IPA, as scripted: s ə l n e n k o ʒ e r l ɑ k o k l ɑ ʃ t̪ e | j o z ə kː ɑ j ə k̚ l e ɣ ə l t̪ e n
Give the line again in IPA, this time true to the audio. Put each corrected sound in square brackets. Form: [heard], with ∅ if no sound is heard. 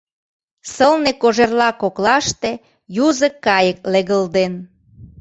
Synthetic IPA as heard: s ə l n e [∅] k o ʒ e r l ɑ k o k l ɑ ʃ t̪ e | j [u] z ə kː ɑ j ə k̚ l e ɣ ə l [d̪] e n